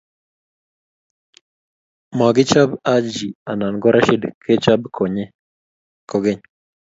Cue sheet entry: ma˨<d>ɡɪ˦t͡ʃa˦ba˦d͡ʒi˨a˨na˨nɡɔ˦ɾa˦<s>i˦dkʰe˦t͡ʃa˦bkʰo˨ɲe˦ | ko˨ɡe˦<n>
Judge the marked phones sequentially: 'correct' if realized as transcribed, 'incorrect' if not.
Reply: incorrect: none, incorrect: ʃ, incorrect: ɲ

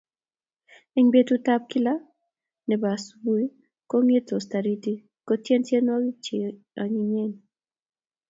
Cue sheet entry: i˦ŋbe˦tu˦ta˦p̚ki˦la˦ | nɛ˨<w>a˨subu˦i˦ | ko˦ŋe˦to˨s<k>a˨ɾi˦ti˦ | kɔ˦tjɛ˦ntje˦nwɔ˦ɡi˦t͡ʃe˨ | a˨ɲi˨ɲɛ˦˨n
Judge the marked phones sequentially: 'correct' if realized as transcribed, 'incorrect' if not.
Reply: incorrect: b, incorrect: t

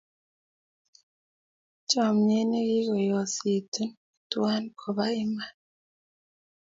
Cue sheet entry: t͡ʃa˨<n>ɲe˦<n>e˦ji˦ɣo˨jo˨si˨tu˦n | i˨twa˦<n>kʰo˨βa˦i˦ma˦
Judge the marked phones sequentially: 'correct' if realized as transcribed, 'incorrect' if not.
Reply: incorrect: m, correct, correct

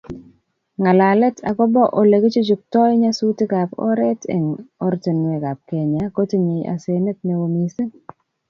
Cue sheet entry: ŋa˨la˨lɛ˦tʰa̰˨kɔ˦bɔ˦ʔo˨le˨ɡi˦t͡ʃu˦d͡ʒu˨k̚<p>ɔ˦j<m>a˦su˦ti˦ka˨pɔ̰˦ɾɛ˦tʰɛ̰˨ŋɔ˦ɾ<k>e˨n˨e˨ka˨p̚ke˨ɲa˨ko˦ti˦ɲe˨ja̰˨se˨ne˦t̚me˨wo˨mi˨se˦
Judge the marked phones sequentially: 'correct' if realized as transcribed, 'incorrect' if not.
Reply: incorrect: t, incorrect: ɲ, incorrect: t

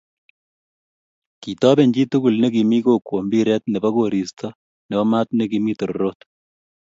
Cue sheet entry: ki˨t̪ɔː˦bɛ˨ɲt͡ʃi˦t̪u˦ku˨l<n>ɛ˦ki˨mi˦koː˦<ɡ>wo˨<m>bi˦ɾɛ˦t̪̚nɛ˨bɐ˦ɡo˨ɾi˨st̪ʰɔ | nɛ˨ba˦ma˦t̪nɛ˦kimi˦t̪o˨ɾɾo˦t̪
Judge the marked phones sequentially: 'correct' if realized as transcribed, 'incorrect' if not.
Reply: correct, incorrect: k, correct

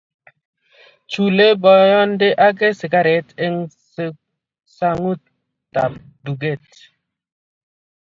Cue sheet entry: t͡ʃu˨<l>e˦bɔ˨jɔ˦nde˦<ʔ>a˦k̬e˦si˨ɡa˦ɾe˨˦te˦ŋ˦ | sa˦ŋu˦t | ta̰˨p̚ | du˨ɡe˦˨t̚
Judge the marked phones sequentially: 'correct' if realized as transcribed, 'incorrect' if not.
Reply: correct, correct

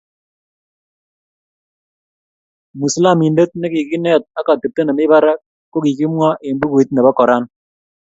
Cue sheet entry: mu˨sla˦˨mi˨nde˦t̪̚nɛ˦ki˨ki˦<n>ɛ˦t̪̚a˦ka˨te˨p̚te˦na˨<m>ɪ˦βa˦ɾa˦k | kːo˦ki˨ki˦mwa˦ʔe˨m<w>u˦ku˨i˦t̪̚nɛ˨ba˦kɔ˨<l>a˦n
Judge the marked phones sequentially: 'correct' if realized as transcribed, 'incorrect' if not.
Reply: correct, correct, incorrect: b, incorrect: ɾ

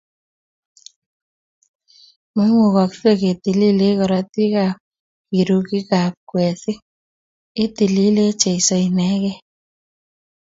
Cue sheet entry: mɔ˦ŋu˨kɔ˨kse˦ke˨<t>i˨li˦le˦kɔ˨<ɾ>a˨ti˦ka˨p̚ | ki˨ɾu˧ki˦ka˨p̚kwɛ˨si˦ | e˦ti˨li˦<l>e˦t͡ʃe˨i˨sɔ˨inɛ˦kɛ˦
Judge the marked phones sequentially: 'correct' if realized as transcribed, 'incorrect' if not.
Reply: correct, correct, correct

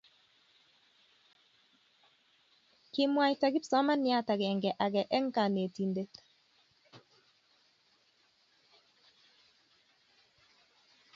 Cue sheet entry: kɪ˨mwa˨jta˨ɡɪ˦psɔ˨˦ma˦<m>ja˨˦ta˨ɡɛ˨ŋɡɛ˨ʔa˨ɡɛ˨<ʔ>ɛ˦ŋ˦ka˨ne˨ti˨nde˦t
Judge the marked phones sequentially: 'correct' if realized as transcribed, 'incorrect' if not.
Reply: incorrect: n, correct

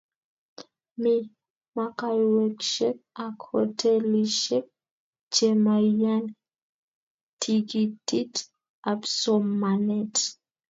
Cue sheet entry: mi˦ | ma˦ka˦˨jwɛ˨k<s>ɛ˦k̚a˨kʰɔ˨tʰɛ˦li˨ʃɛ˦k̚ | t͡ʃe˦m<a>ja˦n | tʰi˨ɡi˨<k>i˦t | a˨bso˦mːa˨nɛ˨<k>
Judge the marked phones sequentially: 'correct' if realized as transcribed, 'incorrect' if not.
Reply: incorrect: ʃ, correct, incorrect: t, incorrect: t

